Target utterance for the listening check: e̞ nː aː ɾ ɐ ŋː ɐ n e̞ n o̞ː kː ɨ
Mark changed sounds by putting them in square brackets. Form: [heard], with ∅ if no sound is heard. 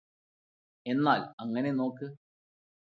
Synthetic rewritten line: e̞ nː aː [l] ɐ ŋː ɐ n e̞ n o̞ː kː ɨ